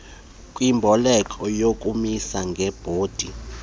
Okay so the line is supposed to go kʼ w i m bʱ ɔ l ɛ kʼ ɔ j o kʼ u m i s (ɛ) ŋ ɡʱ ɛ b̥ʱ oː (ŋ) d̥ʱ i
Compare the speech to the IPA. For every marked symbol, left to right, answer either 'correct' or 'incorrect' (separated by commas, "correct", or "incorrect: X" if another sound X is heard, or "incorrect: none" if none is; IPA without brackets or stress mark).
incorrect: a, incorrect: none